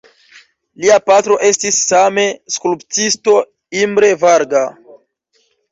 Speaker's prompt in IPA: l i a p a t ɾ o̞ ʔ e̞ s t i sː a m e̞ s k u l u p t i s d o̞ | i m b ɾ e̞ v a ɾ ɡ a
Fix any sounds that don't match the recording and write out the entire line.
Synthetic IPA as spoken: l i a p a t ɾ o̞ ʔ e̞ s t i sː a m e̞ s k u l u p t i s t o̞ | i m b ɾ e̞ v a ɾ ɡ a